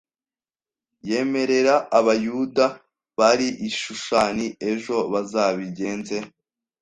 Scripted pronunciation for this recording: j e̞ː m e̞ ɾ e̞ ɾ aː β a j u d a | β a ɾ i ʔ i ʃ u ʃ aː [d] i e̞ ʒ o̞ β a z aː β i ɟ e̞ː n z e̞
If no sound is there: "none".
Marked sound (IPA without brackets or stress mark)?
n